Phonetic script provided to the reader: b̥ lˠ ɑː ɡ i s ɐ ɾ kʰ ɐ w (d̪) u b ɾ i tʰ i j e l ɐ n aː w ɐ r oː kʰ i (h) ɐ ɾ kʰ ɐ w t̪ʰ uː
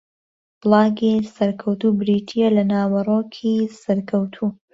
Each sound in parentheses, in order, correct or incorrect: incorrect, incorrect

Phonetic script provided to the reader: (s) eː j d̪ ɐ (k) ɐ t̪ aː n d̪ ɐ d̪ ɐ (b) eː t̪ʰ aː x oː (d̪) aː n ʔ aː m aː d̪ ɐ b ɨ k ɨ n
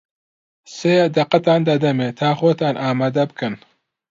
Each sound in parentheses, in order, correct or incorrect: correct, incorrect, incorrect, incorrect

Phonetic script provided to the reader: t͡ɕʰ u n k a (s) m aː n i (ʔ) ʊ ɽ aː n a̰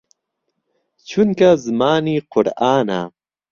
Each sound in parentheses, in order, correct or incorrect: incorrect, incorrect

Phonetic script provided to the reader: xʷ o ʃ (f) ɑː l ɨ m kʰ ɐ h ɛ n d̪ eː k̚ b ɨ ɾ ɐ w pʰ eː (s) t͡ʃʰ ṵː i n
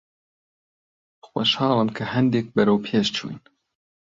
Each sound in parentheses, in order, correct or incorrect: incorrect, incorrect

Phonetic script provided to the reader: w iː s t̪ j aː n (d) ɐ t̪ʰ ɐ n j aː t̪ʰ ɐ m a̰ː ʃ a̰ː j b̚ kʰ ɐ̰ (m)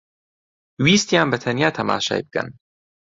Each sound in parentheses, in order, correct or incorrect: incorrect, incorrect

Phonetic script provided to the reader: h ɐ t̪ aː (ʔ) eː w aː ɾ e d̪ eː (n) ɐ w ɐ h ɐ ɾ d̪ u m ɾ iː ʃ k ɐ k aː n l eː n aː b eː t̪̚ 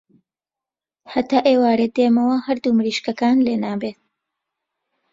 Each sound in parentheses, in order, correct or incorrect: correct, incorrect

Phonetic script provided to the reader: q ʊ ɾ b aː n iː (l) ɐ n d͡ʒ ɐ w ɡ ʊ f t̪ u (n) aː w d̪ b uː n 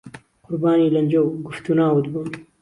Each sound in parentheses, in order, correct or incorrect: correct, correct

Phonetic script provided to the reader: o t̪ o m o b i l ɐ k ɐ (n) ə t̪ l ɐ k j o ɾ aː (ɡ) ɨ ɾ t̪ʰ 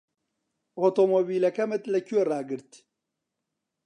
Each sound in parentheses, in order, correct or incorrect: incorrect, correct

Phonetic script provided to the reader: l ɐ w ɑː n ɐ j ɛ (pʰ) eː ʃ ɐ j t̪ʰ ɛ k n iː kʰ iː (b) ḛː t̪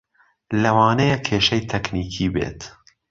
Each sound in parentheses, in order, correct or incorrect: incorrect, correct

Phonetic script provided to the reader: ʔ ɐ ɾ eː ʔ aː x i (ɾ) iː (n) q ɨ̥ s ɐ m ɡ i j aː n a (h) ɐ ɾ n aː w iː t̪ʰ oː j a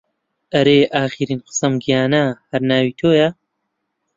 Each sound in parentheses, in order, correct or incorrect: correct, correct, correct

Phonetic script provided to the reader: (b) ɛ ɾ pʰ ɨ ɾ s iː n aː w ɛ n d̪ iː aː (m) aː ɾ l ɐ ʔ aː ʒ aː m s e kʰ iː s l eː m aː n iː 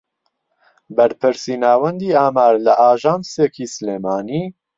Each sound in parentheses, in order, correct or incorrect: correct, correct

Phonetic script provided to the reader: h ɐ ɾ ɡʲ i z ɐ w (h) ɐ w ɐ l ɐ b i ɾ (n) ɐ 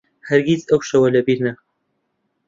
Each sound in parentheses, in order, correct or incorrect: incorrect, correct

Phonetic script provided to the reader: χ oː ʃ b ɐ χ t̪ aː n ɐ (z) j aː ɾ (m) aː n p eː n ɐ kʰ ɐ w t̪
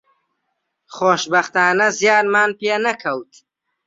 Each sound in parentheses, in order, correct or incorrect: correct, correct

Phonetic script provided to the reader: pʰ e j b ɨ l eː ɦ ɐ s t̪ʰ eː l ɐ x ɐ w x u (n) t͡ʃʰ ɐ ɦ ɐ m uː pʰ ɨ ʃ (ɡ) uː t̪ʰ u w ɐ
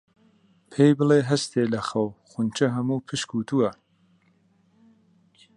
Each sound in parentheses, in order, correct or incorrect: correct, incorrect

